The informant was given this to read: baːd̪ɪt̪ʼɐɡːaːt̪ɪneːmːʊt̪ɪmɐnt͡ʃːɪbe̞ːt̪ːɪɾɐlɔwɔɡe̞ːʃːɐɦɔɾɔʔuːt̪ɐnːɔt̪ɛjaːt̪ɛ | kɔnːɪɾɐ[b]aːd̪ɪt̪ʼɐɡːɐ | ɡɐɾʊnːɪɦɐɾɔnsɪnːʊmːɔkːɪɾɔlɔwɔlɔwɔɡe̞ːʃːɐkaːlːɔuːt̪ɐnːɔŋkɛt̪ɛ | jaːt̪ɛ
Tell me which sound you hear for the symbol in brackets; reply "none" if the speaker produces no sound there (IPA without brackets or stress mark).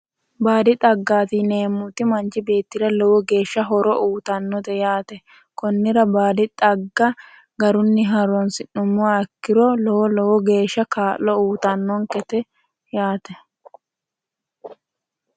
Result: b